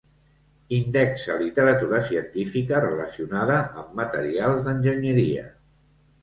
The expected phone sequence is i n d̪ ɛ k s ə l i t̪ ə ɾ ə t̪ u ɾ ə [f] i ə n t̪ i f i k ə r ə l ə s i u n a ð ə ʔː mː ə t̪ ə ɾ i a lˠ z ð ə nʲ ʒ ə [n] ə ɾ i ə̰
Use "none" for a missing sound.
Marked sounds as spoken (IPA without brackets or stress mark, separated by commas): s, ɲ